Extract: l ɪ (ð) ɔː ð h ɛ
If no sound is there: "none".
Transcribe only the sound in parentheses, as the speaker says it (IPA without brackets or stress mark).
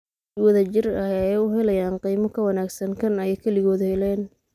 ɣ